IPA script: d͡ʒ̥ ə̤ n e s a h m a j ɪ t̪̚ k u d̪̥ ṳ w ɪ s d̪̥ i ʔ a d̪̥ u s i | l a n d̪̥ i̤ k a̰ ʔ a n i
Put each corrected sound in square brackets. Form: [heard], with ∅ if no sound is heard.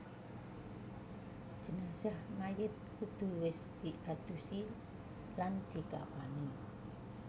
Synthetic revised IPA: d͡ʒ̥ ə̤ n [a] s a h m a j ɪ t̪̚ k u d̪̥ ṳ w ɪ s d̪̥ i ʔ a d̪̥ u s i | l a n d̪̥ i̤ k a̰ [p] a n i